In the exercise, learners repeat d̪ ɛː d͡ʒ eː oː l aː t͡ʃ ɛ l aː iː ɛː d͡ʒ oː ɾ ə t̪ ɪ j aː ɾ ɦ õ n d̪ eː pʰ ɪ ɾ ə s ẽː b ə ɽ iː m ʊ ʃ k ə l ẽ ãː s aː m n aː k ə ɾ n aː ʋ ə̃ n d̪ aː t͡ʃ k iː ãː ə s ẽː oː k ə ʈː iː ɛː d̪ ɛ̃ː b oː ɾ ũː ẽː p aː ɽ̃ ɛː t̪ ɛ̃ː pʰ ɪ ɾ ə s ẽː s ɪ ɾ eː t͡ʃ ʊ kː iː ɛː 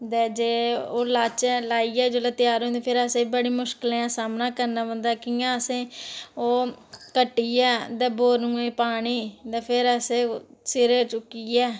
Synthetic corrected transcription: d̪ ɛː d͡ʒ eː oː l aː t͡ʃ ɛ l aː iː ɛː d͡ʒ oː l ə t̪ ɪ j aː ɾ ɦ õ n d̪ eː pʰ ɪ ɾ ə s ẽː b ə ɽ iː m ʊ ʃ k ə l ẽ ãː s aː m n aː k ə ɾ n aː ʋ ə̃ n d̪ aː k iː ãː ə s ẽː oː k ə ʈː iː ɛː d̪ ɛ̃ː b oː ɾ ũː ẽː p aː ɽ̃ iː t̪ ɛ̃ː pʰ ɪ ɾ ə s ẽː s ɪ ɾ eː t͡ʃ ʊ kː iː ɛː